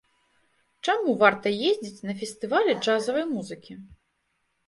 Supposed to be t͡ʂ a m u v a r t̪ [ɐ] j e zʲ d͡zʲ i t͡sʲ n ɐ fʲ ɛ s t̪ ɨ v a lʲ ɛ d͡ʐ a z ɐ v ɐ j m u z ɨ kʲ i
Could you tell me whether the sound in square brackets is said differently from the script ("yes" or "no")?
no